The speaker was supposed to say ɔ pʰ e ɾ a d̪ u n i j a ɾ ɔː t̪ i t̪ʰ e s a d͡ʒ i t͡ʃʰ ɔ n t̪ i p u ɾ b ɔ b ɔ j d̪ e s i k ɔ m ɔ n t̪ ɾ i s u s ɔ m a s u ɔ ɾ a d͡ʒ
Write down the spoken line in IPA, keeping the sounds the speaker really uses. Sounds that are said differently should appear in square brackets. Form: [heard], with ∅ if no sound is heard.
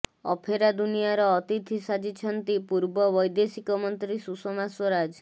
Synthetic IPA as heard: ɔ pʰ e ɾ a d̪ u n i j a ɾ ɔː t̪ i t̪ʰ [i] s a d͡ʒ i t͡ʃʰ ɔ n t̪ i p u ɾ b ɔ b ɔ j d̪ e s i k ɔ m ɔ n t̪ ɾ i s u s ɔ m a s [w] ɔ ɾ a d͡ʒ